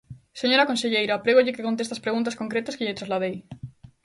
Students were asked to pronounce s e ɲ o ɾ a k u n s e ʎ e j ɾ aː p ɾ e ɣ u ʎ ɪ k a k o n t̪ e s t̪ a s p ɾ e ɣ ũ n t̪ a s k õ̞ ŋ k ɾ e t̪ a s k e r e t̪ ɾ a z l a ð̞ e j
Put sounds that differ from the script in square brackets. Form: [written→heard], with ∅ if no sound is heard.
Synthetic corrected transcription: s e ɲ o ɾ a k [u→o] n s e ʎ e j ɾ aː p ɾ e ɣ [u→o] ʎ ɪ k [a→e] k o n t̪ e s t̪ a s p ɾ e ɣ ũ n t̪ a s k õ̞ ŋ k ɾ e t̪ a s k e [r→ʎ] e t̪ ɾ a z l a ð̞ e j